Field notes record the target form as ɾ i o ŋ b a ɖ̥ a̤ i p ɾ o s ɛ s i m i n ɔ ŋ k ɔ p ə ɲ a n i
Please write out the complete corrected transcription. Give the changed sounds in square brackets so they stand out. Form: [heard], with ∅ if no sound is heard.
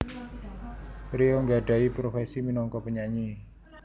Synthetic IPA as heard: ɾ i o ŋ [ɡ] a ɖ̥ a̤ i p ɾ o [f] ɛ s i m i n ɔ ŋ k ɔ p ə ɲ a [ɲ] i